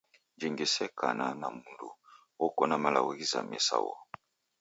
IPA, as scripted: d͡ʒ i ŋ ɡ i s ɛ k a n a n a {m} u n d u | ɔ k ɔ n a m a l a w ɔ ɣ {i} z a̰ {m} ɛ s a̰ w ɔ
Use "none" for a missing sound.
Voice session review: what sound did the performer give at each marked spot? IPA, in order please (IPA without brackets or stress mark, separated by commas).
m, i, m